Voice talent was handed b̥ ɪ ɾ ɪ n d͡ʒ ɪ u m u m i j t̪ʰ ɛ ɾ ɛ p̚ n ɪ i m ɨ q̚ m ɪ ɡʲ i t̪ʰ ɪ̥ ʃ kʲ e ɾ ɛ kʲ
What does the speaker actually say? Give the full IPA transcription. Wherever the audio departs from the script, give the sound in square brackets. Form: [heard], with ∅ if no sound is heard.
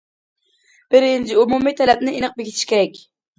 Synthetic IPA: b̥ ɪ ɾ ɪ n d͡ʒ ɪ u m u m i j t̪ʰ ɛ [l] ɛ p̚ n ɪ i [n] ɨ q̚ [b] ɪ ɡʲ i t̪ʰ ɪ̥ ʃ kʲ e ɾ ɛ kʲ

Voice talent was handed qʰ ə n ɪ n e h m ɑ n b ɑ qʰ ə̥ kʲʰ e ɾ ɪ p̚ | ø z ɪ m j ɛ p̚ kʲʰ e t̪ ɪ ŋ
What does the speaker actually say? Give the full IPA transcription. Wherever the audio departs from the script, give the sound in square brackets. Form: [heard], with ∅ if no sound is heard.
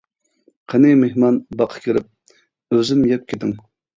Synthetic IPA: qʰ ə n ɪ [m] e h m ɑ n b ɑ qʰ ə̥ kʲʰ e ɾ ɪ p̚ | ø z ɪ m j ɛ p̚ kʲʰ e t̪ ɪ ŋ

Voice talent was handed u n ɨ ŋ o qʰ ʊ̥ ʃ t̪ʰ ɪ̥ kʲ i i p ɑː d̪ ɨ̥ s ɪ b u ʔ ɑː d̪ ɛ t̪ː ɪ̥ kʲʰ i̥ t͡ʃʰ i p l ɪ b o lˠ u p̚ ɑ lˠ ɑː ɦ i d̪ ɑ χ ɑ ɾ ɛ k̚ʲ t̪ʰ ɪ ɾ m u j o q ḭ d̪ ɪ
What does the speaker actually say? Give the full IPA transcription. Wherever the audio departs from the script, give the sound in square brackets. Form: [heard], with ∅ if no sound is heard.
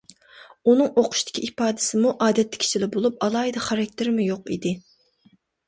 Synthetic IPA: u n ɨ ŋ o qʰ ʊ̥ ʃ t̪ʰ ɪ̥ kʲ i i p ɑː d̪ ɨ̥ s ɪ [m] u ʔ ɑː d̪ ɛ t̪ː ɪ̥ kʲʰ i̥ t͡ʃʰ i [∅] l ɪ b o lˠ u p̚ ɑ lˠ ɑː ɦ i d̪ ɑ χ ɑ ɾ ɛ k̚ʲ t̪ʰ ɪ ɾ m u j o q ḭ d̪ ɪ

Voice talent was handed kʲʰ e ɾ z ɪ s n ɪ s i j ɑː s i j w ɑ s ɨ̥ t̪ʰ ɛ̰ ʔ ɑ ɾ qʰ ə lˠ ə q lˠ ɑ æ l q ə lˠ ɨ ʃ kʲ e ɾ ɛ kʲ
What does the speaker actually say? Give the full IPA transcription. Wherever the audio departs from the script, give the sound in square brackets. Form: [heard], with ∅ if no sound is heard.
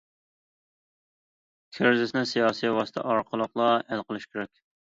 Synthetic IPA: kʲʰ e ɾ z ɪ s n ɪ s i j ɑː s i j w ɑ s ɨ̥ t̪ʰ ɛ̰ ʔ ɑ ɾ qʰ ə lˠ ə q lˠ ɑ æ l q ə lˠ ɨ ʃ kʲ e ɾ ɛ kʲ

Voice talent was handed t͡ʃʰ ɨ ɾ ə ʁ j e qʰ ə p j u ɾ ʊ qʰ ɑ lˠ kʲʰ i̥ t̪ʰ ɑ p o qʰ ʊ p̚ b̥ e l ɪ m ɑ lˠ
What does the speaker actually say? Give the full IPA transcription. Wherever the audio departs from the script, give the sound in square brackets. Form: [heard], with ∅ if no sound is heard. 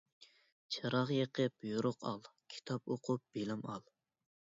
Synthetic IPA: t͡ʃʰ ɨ ɾ [ɑ] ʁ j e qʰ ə p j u ɾ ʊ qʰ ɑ lˠ kʲʰ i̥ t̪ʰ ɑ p o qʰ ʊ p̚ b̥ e l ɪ m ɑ lˠ

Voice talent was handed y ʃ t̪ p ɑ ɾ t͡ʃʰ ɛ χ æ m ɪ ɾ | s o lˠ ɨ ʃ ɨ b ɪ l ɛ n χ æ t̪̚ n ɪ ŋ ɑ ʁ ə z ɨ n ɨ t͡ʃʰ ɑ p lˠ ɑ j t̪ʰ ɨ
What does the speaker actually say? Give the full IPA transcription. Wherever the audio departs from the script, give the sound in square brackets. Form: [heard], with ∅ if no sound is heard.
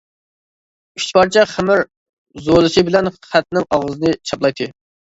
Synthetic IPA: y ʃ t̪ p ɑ ɾ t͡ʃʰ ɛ χ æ m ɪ ɾ | [z] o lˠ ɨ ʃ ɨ b ɪ l ɛ n χ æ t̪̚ n ɪ ŋ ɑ ʁ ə z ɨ n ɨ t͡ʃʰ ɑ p lˠ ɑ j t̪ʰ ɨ

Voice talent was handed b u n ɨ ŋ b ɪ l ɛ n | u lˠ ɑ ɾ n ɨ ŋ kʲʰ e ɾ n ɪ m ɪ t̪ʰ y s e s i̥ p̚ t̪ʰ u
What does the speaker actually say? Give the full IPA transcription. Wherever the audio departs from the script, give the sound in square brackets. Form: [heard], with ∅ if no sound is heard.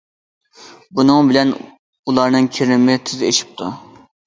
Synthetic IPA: b u n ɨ ŋ b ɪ l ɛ n | u lˠ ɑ ɾ n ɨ ŋ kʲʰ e ɾ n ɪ m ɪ t̪ʰ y [z] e [ʃ] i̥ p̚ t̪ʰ u

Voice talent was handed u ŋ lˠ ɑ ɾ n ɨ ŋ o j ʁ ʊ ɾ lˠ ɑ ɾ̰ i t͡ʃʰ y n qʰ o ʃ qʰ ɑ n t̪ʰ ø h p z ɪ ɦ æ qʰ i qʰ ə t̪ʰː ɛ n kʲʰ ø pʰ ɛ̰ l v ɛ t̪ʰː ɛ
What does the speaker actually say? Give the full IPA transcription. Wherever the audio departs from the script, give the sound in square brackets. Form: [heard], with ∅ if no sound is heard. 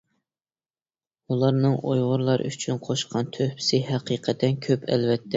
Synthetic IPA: u [∅] lˠ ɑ ɾ n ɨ ŋ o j ʁ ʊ ɾ lˠ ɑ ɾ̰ [y] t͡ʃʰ y n qʰ o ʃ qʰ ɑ n t̪ʰ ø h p [s] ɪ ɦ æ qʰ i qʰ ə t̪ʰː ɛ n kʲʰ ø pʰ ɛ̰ l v ɛ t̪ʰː ɛ

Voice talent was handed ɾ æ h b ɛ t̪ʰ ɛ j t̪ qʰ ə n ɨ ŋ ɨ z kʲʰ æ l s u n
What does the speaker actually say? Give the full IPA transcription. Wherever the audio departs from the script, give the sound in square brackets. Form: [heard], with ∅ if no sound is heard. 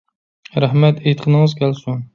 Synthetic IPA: ɾ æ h [m] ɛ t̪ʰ [e] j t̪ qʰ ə n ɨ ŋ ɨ z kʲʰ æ l s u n

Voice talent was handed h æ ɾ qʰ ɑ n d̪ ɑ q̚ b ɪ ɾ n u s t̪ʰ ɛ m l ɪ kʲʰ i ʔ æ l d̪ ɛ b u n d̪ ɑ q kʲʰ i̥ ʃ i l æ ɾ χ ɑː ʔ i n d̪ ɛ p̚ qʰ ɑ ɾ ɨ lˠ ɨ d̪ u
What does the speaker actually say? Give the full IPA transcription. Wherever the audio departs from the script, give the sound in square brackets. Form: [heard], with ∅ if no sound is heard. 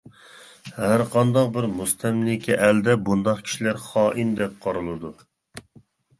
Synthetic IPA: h æ ɾ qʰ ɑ n d̪ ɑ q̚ b ɪ ɾ [m] u s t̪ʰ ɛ m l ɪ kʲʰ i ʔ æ l d̪ ɛ b u n d̪ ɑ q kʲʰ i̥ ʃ i l æ ɾ χ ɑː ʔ i n d̪ ɛ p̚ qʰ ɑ ɾ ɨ lˠ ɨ d̪ u

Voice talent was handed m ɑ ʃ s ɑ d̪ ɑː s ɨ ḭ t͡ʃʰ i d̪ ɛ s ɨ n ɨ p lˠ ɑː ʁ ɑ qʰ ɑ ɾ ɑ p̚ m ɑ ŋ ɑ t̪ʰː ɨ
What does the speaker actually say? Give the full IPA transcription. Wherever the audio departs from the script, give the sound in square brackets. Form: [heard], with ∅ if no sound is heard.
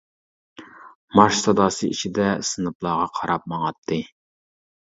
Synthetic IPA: m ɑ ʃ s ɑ d̪ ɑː s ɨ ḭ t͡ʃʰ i d̪ ɛ s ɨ n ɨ p lˠ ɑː ʁ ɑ qʰ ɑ ɾ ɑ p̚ m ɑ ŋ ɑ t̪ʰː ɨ

